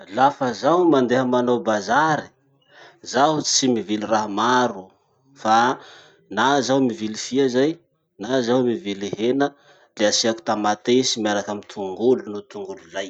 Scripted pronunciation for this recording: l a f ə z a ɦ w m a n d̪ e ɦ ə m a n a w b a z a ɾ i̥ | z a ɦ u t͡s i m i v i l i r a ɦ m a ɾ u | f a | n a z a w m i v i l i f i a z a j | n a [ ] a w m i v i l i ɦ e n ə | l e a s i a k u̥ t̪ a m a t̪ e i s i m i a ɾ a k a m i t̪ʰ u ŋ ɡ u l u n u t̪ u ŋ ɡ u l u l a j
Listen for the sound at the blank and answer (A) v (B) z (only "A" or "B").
B